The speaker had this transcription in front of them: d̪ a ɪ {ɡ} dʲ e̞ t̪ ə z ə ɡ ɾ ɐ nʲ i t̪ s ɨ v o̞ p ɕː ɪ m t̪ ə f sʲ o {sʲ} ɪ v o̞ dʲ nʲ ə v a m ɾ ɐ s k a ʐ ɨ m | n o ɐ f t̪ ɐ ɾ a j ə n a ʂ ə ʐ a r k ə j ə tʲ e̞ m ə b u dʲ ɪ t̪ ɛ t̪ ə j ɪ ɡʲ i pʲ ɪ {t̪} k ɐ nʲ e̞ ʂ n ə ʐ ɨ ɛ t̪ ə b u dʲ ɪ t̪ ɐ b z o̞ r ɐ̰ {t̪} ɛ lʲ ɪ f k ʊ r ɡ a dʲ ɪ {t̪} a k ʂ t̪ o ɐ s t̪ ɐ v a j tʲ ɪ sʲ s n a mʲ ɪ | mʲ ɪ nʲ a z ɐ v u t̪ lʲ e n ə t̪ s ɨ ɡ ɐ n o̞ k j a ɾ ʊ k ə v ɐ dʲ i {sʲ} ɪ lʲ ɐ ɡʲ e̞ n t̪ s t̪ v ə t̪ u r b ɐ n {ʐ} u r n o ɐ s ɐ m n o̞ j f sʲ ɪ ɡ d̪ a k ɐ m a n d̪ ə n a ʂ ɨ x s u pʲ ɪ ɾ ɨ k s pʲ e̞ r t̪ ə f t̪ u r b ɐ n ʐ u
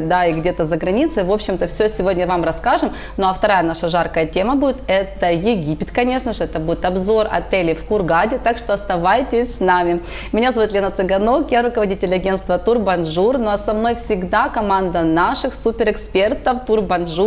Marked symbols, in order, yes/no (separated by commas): yes, yes, yes, yes, yes, no, yes